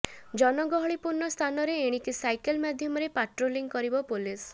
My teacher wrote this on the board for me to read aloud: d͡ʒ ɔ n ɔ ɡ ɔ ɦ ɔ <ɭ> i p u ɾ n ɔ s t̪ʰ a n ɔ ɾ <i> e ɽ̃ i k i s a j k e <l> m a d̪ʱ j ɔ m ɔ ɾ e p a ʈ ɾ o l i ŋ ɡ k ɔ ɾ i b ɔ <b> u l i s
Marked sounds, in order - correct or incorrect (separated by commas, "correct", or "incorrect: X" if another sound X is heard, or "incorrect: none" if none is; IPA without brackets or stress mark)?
correct, incorrect: e, correct, incorrect: p